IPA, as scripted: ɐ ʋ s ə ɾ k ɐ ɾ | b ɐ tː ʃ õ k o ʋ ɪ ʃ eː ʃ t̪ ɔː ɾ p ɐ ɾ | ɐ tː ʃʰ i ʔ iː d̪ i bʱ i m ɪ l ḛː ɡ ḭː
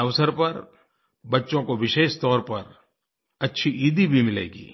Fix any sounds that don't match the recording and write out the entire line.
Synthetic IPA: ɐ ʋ s ə ɾ p ɐ ɾ | b ɐ tː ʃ õ k o ʋ ɪ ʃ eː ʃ t̪ ɔː ɾ p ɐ ɾ | ɐ tː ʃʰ i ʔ iː d̪ i bʱ i m ɪ l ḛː ɡ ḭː